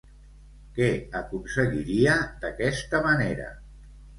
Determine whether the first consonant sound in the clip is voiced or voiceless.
voiceless